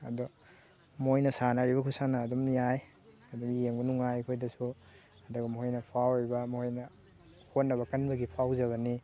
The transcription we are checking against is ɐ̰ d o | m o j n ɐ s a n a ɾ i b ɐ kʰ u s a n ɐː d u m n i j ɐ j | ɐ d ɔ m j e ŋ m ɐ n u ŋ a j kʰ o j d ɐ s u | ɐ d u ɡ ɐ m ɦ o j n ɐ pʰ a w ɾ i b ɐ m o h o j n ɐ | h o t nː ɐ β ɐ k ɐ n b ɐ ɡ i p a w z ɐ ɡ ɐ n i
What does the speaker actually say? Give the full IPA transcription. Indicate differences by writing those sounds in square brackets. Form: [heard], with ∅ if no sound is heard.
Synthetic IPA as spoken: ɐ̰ d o | m o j n ɐ s a n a ɾ i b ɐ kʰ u s a n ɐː d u m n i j [a] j | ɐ d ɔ m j e ŋ [b] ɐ n u ŋ a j kʰ o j d ɐ s u | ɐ d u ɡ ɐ m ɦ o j n ɐ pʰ a w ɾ i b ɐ m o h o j n ɐ | h o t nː ɐ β ɐ k ɐ n b ɐ ɡ i [pʰ] a w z ɐ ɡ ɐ n i